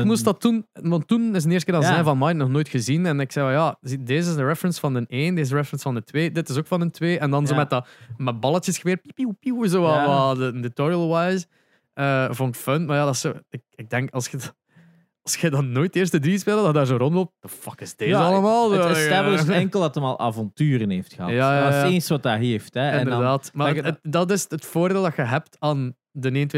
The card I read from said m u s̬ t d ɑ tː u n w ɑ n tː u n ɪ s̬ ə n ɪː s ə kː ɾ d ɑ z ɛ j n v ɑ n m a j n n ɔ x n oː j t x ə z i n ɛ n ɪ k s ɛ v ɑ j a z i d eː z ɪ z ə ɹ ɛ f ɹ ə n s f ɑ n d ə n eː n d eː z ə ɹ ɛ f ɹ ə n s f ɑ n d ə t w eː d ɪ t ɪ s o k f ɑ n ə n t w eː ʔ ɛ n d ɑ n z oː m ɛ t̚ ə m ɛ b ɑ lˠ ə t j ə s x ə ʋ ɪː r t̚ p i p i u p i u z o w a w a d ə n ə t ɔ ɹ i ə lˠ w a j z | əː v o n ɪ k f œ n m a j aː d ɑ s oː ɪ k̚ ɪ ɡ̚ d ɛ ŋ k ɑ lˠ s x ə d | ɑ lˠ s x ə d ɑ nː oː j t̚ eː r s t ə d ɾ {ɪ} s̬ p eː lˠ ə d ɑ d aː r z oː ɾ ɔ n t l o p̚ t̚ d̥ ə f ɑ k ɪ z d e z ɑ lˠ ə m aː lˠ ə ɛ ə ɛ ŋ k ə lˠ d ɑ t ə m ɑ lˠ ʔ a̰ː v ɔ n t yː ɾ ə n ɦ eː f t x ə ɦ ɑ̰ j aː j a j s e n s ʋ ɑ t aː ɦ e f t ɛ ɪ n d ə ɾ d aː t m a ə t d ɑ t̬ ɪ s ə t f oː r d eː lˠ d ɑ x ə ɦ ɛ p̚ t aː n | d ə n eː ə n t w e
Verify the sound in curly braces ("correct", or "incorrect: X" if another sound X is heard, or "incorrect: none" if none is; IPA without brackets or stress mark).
incorrect: i